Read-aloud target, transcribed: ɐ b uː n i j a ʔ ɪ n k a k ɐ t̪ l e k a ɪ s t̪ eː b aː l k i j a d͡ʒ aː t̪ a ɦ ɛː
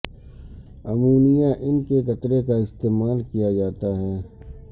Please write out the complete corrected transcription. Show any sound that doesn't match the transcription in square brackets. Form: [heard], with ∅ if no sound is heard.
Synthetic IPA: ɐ [m] uː n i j a ʔ ɪ n k [e] k ɐ t̪ [ɾ] e k a ɪ s t̪ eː [m] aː l k i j a d͡ʒ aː t̪ a ɦ ɛː